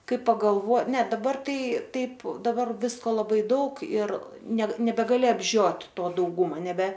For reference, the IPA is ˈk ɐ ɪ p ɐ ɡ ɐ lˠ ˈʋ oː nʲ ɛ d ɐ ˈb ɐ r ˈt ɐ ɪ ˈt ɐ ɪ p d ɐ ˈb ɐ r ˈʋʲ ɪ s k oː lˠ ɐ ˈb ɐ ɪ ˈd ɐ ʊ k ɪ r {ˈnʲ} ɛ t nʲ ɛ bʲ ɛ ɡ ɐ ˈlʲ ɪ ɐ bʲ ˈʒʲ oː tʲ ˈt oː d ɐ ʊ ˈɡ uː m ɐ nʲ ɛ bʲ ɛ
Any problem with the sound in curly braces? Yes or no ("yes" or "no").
no